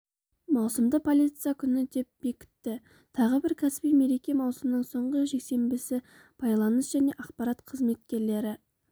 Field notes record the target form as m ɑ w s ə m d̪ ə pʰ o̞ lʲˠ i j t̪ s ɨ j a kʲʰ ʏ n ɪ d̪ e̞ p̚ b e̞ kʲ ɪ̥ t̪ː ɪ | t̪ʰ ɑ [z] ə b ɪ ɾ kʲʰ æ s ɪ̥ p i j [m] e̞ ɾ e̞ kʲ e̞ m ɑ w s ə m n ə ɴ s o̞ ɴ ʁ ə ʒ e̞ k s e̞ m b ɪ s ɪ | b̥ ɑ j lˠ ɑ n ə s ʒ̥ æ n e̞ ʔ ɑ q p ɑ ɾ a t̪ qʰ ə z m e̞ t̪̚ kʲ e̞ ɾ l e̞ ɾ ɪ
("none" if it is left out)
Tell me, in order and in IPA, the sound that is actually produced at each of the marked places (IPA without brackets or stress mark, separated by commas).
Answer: ʁ, m